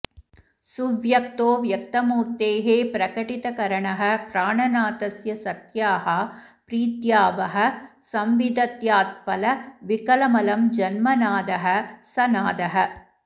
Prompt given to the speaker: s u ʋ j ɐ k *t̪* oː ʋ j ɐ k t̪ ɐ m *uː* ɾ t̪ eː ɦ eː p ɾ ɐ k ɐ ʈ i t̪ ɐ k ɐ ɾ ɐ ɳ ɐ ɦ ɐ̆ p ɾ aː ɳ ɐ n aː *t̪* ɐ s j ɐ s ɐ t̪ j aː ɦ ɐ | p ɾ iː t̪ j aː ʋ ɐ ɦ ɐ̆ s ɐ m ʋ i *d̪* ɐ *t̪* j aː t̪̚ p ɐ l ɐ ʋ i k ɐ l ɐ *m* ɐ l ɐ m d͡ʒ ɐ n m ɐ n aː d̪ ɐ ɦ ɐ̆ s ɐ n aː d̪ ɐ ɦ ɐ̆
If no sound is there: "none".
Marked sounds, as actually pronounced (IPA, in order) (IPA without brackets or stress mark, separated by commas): t̪, uː, t̪, d̪, t̪, m